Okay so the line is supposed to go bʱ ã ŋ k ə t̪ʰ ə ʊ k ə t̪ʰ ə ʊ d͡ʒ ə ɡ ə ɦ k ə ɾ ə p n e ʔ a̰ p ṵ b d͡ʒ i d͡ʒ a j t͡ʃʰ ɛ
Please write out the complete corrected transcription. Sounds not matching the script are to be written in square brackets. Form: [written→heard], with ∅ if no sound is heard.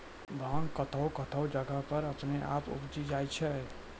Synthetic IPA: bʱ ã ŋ k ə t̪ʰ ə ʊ k ə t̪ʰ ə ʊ d͡ʒ ə ɡ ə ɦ [k→p] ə ɾ ə p n e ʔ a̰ p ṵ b d͡ʒ i d͡ʒ a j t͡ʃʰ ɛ